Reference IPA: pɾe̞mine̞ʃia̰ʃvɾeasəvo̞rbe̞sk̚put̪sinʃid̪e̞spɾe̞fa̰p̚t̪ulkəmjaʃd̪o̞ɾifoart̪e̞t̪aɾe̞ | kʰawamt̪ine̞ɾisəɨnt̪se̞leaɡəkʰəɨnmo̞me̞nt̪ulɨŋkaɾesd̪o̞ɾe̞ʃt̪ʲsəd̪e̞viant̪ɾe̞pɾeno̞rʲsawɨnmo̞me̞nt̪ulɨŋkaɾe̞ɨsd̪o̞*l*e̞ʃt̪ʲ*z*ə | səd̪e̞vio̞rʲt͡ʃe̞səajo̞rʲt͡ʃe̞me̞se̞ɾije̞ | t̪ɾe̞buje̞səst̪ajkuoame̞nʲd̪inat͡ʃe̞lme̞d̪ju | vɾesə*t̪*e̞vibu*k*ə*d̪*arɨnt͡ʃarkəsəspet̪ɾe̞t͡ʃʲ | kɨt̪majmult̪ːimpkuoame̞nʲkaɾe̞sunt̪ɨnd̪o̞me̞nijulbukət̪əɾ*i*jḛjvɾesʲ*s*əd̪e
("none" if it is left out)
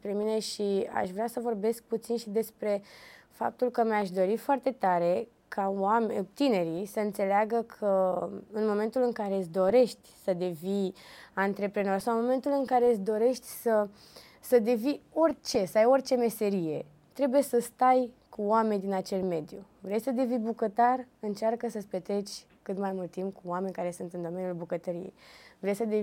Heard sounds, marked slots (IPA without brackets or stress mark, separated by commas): ɾ, s, d̪, k, t̪, i, s